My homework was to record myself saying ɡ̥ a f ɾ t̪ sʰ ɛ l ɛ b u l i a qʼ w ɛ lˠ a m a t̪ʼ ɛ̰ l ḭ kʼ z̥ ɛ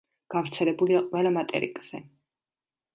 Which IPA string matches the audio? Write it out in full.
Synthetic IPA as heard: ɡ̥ a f ɾ t̪ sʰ ɛ l ɛ b u l i a qʼ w ɛ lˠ a m a t̪ʼ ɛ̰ ɾ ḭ kʼ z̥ ɛ